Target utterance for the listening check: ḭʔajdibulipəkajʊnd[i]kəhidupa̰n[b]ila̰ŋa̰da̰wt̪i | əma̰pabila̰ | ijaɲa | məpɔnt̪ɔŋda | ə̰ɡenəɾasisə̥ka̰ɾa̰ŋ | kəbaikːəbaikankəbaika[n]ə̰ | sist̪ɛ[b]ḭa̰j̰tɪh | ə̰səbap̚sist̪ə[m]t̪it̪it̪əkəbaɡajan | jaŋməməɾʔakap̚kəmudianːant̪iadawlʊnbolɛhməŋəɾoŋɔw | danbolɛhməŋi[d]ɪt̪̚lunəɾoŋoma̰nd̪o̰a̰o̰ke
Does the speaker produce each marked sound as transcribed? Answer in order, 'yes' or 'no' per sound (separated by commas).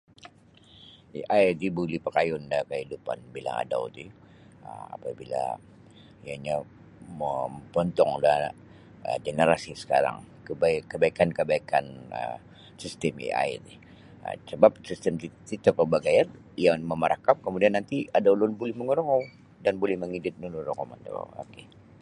no, yes, yes, no, yes, yes